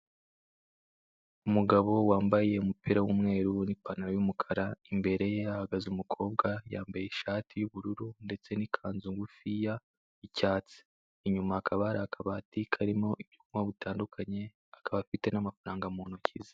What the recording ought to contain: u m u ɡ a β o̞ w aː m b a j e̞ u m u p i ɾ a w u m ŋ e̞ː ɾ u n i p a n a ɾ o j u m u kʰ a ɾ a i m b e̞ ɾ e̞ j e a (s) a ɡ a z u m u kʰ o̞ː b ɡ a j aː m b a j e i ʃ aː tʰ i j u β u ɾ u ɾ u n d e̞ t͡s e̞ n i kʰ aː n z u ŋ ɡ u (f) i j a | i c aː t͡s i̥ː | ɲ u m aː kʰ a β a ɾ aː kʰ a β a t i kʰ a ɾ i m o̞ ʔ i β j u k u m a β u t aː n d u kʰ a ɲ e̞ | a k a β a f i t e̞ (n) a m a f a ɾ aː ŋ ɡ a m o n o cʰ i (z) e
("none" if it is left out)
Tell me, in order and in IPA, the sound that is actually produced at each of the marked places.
h, f, n, z

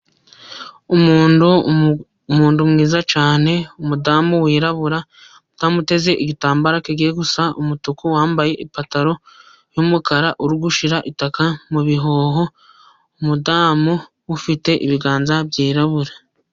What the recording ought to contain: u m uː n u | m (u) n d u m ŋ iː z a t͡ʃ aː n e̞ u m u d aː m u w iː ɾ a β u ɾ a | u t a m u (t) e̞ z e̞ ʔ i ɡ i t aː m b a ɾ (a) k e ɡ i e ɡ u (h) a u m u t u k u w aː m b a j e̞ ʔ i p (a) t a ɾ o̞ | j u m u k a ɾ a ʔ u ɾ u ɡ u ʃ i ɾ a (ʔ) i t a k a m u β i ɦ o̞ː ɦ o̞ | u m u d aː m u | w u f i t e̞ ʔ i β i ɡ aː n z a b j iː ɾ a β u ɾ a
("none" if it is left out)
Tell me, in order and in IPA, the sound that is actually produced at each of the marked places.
uː, t, a, s, a, ʔ

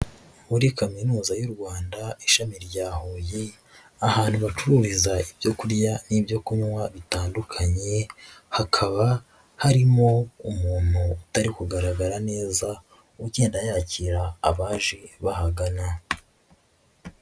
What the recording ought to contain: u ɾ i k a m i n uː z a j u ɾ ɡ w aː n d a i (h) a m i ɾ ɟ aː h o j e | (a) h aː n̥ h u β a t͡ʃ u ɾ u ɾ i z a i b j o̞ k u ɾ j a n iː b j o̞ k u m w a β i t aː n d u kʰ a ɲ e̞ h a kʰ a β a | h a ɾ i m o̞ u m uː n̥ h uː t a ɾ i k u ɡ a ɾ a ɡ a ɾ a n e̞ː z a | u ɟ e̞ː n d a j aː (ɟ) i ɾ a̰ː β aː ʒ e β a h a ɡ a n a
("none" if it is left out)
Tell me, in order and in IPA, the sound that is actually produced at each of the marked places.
ʃ, a, c

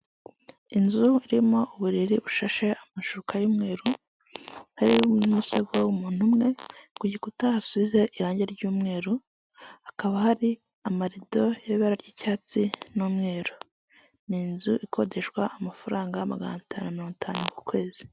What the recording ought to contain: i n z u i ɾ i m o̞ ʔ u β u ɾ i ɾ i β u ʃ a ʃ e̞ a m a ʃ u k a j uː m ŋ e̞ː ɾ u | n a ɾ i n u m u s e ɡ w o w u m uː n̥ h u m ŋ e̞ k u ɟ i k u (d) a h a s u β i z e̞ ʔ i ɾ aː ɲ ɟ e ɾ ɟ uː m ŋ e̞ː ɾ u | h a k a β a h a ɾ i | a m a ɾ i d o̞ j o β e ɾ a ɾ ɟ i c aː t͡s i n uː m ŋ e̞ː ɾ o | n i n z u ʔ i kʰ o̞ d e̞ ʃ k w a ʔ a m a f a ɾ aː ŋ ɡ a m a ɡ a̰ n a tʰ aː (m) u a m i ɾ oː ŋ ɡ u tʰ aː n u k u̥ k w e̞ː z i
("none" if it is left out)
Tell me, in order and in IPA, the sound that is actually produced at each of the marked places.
t, n

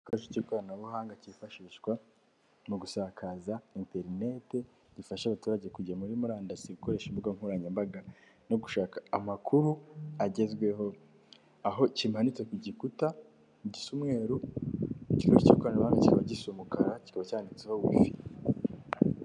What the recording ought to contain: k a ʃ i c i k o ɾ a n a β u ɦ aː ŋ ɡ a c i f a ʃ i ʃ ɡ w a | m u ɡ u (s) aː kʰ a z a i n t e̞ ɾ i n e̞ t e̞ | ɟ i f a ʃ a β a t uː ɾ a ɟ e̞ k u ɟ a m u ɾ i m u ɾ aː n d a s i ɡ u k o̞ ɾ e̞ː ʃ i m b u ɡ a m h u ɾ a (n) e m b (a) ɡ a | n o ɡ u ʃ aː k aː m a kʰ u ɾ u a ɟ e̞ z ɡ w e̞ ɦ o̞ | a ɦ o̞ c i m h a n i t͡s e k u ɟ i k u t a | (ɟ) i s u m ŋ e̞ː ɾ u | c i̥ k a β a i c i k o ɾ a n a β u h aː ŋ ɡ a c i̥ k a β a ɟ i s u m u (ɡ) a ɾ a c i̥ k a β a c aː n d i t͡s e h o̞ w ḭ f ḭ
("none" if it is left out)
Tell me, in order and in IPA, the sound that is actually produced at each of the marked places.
s, ɲ, a, ɟ, k

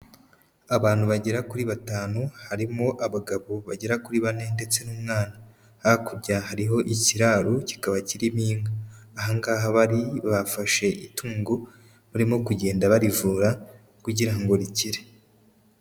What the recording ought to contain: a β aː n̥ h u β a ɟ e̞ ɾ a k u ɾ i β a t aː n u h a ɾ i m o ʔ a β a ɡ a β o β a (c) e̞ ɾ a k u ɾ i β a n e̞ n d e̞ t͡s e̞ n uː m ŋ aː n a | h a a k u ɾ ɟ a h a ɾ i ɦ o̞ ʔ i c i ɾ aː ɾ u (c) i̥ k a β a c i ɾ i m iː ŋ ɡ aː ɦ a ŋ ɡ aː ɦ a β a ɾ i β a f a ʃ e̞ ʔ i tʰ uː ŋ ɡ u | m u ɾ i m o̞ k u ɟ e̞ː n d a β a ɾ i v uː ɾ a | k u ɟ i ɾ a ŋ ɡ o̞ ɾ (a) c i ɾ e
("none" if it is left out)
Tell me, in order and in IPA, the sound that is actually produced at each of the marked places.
ɟ, c, i

